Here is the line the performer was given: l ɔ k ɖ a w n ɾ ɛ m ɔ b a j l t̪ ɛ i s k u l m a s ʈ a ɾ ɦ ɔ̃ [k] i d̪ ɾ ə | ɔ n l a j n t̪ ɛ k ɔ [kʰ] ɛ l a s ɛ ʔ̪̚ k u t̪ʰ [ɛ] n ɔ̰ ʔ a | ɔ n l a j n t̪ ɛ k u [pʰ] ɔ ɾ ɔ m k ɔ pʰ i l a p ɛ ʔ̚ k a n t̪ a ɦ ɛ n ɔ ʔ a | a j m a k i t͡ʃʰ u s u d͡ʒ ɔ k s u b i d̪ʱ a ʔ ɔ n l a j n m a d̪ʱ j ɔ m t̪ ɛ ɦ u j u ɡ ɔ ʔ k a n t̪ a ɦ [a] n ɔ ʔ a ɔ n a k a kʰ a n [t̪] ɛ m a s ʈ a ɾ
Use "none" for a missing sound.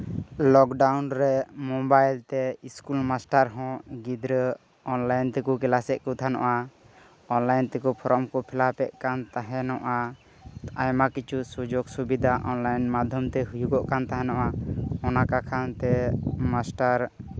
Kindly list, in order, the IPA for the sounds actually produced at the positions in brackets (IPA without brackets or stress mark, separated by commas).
ɡ, k, a, pʰ, ɛ, t̪